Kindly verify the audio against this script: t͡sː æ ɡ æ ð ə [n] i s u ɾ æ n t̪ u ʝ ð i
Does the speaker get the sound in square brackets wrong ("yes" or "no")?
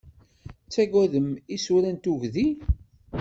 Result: yes